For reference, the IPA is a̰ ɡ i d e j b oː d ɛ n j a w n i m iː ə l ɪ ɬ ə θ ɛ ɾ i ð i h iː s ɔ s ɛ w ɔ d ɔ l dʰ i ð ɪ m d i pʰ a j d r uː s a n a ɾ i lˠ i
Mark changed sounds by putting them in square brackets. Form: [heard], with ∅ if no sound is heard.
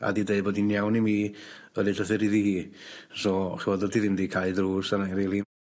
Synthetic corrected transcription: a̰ [d] i d e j b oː d [i] n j a w n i m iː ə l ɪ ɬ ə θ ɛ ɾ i ð i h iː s ɔ [χ] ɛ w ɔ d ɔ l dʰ i ð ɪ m d i [kʰ] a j d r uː s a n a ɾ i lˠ i

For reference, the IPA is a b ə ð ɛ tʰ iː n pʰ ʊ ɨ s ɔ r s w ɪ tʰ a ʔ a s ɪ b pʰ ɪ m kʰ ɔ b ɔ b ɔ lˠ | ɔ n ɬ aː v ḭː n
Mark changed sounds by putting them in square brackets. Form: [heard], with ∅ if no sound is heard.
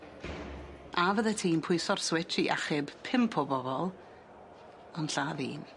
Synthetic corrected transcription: a [v] ə ð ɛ tʰ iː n pʰ ʊ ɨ s ɔ r s w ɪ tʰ [i] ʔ a [χ] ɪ b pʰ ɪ m [pʰ] ɔ b ɔ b ɔ lˠ | ɔ n ɬ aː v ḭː n

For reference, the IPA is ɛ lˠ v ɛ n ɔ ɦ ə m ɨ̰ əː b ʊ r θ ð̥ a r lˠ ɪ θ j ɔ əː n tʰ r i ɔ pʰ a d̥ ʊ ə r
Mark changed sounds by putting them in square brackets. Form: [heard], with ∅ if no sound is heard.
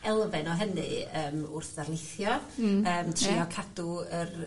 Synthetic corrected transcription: ɛ lˠ v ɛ n ɔ ɦ ə [n] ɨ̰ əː [m] ʊ r θ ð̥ a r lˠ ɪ θ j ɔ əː [m] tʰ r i ɔ [kʰ] a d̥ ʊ ə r

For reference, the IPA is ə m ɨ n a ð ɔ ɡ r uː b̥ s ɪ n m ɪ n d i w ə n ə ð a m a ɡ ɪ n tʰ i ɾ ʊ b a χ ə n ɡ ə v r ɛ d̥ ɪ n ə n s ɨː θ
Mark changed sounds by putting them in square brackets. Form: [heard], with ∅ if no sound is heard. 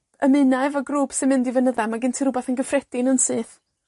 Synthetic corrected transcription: ə m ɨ n a [v] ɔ ɡ r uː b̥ s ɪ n m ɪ n d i [v] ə n ə ð a m a ɡ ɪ n tʰ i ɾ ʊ b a [θ] ə n ɡ ə [f] r ɛ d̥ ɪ n ə n s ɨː θ

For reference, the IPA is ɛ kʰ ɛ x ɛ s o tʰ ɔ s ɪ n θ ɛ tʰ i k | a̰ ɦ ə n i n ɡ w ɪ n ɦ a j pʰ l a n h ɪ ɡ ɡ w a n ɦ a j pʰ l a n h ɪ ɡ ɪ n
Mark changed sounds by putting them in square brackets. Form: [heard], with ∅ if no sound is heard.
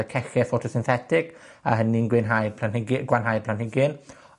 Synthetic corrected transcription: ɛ kʰ ɛ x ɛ [f] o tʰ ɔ s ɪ n θ ɛ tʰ [ɪ] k | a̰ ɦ ə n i n ɡ w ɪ n ɦ a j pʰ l a n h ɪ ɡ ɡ w a n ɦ a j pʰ l a n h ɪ ɡ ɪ n

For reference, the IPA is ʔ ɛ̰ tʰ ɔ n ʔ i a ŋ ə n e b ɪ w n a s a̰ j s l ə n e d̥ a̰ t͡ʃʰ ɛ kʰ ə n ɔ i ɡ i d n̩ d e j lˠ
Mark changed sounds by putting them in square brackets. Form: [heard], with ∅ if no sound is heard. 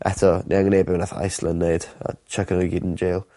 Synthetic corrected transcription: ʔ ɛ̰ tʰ ɔ n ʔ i a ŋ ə n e b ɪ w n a [θ] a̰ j s l ə n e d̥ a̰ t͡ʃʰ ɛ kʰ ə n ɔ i ɡ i d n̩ [d͡ʒ] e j lˠ

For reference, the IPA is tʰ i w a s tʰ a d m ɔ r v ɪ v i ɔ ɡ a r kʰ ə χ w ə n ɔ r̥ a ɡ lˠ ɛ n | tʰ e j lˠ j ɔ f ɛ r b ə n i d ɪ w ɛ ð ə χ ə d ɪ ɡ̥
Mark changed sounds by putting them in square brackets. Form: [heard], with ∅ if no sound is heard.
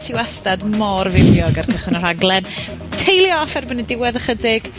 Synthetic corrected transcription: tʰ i w a s [t] a d m ɔ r v ɪ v [j] ɔ ɡ a r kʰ ə χ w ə n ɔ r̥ a ɡ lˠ ɛ n | tʰ e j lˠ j ɔ f ɛ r b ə n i d ɪ w ɛ ð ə χ ə d ɪ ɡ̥

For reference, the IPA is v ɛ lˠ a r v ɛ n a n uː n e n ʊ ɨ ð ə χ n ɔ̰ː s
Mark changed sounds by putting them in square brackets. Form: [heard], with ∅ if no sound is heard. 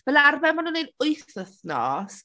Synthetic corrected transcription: v ɛ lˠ a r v ɛ [m] a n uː n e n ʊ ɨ [θ] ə [θ] n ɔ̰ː s

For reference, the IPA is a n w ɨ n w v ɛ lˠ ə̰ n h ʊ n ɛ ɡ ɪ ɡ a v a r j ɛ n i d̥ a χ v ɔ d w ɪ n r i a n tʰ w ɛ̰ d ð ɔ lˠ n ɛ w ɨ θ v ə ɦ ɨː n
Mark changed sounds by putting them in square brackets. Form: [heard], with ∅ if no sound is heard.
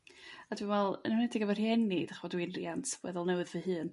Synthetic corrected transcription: a [d] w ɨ n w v ɛ lˠ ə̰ n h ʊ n ɛ [d] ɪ ɡ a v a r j ɛ n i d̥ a χ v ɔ d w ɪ n r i a n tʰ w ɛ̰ [∅] ð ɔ lˠ n ɛ w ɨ [ð] v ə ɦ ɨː n

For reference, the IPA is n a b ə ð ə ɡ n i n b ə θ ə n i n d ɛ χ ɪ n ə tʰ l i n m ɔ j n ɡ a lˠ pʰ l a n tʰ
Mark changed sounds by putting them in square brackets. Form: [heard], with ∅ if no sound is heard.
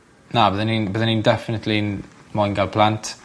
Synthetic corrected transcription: n a b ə ð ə [∅] n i n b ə [ð] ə n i n d ɛ [f] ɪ n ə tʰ l i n m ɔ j n ɡ a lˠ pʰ l a n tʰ

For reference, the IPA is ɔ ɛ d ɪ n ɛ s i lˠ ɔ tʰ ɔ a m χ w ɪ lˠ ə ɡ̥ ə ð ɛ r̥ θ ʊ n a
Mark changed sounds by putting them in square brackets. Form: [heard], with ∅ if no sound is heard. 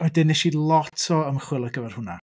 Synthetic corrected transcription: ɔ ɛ d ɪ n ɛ [ʃ] i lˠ ɔ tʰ ɔ [ə] m χ w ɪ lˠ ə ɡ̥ ə [v] ɛ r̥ [h] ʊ n a

